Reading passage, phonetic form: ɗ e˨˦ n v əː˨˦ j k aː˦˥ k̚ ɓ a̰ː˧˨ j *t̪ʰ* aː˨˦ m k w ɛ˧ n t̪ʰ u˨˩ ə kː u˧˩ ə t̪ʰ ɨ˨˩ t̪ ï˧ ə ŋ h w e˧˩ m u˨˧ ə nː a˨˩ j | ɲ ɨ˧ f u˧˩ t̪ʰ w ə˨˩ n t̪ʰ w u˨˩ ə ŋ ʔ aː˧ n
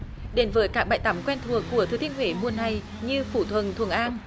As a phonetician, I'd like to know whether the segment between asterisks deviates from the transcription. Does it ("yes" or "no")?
yes